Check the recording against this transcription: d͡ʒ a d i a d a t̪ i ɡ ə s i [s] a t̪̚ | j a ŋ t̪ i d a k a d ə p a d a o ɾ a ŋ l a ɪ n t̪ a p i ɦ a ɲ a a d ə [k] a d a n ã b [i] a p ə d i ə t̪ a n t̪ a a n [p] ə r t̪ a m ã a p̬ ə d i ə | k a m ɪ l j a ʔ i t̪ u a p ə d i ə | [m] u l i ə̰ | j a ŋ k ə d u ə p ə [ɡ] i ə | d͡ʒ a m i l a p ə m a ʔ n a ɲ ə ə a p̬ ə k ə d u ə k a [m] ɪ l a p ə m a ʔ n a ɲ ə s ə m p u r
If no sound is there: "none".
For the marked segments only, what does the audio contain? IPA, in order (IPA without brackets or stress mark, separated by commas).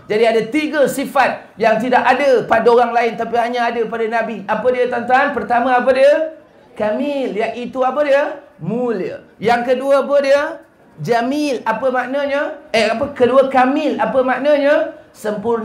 f, p, i, p, m, d, m